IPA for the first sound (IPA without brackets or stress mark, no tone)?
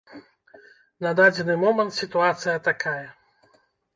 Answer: n